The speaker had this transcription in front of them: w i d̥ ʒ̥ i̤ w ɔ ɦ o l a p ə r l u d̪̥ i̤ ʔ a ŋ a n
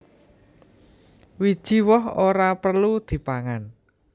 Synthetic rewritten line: w i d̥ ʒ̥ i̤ w ɔ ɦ o ɾ a p ə r l u d̪̥ i̤ p a ŋ a n

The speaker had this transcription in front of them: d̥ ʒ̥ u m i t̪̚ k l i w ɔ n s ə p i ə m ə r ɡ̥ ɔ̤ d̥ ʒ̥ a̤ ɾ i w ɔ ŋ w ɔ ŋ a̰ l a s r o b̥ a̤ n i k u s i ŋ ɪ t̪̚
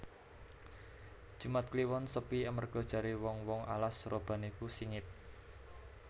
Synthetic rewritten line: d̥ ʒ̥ u m a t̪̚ k l i w ɔ n s ə p i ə m ə r ɡ̥ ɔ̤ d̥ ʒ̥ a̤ ɾ i w ɔ ŋ w ɔ ŋ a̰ l a s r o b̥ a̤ n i k u s i ŋ ɪ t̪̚

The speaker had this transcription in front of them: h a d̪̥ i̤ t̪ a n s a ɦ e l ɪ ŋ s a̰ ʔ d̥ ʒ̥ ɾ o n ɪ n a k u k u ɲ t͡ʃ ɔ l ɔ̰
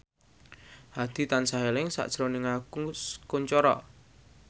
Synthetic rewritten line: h a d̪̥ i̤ t̪ a n s a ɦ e l ɪ ŋ s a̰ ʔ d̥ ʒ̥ ɾ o n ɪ ŋ a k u k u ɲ t͡ʃ ɔ ɾ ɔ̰

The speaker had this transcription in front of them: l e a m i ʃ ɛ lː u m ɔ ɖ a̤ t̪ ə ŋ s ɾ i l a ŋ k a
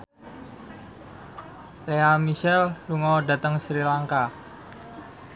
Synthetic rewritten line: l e a m i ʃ ɛ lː u ŋ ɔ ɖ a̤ t̪ ə ŋ s ɾ i l a ŋ k a

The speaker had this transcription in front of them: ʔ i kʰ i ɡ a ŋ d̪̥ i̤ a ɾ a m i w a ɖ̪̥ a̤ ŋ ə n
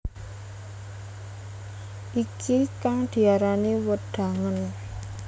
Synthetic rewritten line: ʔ i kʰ i k a ŋ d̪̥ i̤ a ɾ a n i w ə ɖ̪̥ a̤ ŋ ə n

